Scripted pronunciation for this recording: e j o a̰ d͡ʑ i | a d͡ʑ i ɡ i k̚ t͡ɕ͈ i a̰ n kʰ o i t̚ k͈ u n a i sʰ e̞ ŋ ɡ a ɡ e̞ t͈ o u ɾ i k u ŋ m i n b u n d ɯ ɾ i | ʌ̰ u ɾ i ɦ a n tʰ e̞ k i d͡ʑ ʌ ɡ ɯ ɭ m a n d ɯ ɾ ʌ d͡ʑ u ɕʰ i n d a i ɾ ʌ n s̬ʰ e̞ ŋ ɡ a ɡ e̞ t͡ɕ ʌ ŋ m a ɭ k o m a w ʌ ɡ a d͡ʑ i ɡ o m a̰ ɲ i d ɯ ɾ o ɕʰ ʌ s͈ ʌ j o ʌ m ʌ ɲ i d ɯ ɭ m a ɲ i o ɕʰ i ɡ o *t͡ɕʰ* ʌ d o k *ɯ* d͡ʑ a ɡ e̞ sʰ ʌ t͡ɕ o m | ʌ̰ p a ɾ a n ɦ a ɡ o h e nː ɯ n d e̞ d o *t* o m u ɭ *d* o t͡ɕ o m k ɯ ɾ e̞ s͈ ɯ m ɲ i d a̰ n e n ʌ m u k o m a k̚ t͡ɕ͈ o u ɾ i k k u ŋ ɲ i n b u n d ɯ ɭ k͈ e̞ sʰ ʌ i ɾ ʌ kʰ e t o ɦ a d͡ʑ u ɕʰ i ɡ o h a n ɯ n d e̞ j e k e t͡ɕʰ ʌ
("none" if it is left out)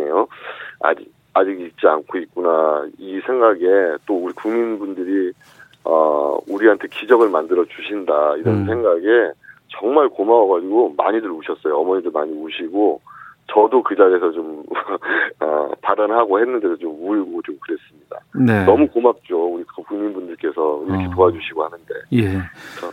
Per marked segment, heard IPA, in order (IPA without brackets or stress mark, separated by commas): t͡ɕ, ɯ, t͡ɕ, ɡ